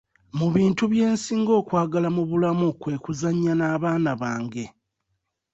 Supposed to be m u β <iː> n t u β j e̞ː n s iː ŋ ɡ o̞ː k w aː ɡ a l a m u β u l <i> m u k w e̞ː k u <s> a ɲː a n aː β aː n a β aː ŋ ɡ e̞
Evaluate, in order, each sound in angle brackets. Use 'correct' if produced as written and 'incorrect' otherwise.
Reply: correct, incorrect: a, incorrect: z

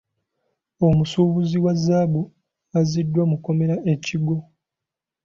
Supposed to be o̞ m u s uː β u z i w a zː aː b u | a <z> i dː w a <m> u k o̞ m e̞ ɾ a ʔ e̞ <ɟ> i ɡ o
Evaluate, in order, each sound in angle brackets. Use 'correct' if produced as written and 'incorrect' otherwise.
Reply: correct, correct, incorrect: c

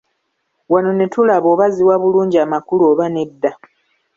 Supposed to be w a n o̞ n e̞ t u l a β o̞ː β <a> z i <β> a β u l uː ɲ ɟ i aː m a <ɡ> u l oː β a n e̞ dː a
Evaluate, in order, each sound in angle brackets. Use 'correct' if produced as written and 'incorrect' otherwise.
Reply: correct, incorrect: w, incorrect: k

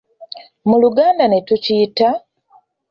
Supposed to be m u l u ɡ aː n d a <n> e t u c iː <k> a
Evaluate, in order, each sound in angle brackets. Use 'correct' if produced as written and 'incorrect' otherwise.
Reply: correct, incorrect: t

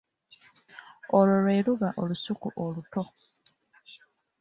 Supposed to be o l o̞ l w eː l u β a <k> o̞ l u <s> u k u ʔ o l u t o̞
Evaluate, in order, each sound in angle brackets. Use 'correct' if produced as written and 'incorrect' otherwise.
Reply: incorrect: ʔ, correct

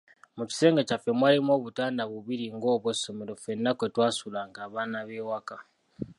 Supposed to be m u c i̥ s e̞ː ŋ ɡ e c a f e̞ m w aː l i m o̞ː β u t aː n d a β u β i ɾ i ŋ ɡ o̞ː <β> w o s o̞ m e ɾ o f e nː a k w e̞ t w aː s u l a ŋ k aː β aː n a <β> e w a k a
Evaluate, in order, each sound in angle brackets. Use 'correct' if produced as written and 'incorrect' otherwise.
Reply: correct, correct

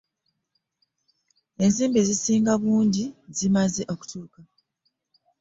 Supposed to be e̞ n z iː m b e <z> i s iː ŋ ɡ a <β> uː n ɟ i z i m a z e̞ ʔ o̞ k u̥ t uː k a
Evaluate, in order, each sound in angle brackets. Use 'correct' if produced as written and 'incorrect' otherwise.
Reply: correct, correct

